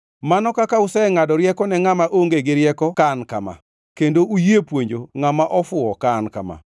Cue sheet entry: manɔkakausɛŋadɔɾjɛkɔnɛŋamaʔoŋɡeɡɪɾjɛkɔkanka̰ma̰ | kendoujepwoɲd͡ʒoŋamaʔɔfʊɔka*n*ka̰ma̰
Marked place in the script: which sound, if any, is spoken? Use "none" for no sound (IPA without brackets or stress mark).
n